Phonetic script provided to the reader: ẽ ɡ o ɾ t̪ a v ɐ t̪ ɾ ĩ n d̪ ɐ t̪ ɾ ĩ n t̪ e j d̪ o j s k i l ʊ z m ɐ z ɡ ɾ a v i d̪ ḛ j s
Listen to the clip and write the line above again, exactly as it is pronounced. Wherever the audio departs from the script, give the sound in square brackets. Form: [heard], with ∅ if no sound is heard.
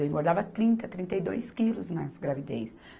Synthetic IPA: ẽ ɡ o ɾ [d̪] a v ɐ t̪ ɾ ĩ n [t̪] ɐ t̪ ɾ ĩ n t̪ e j d̪ o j s k i l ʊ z [n] ɐ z ɡ ɾ a v i d̪ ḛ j s